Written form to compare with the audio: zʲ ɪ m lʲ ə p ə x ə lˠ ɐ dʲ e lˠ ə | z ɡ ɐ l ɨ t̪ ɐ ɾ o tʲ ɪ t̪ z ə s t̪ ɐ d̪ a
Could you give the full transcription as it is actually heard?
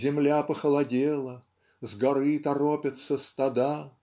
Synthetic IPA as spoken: zʲ ɪ m lʲ a p ə x ə lˠ ɐ dʲ e lˠ ə | z ɡ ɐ ɾ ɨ t̪ ɐ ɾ o pʲ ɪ t̪ s ə s t̪ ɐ d̪ a